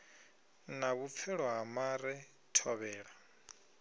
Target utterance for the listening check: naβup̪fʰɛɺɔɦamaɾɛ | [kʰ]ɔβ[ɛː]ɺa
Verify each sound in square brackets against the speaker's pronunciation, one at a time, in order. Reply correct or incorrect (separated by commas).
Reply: incorrect, correct